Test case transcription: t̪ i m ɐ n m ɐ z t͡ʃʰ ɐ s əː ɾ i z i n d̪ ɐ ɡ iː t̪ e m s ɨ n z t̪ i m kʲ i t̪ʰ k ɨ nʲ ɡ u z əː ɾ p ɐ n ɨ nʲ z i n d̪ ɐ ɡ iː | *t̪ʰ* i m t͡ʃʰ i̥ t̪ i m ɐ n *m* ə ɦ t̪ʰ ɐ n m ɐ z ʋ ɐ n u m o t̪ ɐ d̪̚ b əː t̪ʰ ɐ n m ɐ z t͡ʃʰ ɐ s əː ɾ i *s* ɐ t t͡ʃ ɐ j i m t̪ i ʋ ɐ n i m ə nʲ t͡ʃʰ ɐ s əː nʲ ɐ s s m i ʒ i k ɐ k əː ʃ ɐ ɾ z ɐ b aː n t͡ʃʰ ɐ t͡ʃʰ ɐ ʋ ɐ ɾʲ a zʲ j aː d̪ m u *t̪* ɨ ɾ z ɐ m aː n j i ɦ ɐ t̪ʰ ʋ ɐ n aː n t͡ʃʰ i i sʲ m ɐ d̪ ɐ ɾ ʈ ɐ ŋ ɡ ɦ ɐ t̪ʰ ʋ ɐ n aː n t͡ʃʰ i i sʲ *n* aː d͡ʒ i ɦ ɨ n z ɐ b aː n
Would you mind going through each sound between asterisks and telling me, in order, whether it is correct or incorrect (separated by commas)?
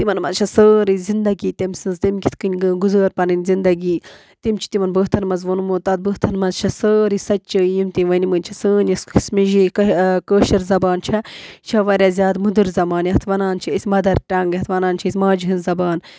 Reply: incorrect, incorrect, correct, incorrect, incorrect